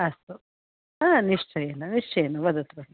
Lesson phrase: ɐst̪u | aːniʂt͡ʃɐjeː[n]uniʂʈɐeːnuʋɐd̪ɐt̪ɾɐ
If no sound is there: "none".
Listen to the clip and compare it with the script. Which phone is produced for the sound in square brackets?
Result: n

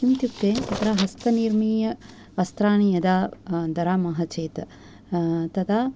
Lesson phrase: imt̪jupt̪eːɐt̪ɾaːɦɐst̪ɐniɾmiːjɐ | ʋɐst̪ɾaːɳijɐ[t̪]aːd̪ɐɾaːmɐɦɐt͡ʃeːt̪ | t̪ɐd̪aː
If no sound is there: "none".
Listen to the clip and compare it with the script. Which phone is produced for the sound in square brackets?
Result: d̪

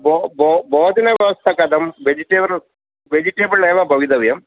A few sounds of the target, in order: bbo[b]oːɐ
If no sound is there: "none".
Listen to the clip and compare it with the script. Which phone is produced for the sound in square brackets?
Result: b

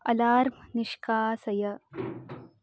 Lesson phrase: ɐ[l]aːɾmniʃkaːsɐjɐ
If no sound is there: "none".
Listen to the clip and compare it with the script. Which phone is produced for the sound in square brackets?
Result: l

